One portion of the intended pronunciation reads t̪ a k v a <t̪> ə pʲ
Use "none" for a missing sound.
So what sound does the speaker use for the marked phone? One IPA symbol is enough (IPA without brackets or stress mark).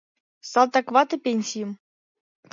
t̪